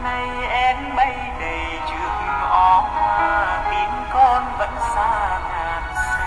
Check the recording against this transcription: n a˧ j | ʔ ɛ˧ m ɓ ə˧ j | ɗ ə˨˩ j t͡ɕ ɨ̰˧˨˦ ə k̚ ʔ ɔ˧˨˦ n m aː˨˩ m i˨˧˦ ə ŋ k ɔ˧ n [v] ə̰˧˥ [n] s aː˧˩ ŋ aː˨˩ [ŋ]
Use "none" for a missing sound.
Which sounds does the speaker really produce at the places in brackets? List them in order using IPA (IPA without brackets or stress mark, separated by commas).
v, n, n